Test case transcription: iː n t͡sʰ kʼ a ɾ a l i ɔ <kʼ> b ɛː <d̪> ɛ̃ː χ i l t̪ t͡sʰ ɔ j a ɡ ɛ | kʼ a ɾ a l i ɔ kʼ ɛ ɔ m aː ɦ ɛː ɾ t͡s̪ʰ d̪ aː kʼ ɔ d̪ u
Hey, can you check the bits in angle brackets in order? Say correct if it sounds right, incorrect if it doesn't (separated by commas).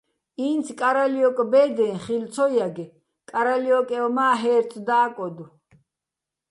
correct, correct